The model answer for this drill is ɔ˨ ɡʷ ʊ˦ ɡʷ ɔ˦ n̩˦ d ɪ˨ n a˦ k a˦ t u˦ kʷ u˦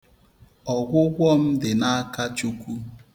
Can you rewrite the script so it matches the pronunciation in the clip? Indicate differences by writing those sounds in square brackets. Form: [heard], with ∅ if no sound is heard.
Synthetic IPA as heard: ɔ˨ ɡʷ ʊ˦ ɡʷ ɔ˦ [m̩˦] d ɪ˨ n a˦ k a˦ [t͡ʃ] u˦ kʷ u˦